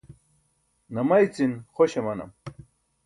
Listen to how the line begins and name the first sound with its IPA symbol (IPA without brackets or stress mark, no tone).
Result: n